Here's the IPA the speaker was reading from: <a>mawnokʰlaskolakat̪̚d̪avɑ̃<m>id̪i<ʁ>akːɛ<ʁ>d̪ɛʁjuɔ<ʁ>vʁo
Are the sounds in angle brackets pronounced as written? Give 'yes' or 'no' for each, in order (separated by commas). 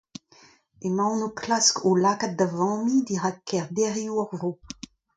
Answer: no, yes, yes, yes, yes